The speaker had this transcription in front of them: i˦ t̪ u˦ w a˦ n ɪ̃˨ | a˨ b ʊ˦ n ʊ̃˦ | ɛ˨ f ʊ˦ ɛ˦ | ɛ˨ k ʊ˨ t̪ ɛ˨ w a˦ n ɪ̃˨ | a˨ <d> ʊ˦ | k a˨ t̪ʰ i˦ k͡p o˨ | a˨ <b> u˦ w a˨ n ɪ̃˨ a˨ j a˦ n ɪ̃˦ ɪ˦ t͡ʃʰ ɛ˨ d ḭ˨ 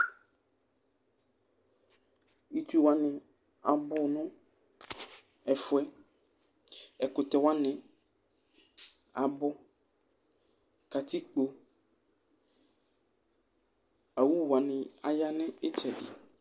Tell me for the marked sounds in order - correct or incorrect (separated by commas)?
incorrect, incorrect